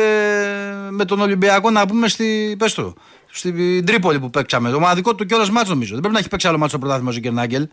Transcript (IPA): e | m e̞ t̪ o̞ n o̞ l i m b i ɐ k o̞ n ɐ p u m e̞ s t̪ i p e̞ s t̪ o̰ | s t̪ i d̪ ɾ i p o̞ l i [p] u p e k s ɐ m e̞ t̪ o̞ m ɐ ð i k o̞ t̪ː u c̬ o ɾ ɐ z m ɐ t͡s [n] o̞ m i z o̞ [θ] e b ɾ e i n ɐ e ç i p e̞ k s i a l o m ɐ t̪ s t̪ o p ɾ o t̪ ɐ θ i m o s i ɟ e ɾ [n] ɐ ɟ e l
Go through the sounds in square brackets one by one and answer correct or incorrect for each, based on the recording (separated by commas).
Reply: correct, correct, incorrect, correct